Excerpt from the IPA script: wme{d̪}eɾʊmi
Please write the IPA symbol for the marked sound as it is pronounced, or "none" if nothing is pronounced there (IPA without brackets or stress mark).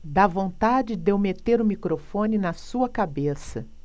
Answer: t̪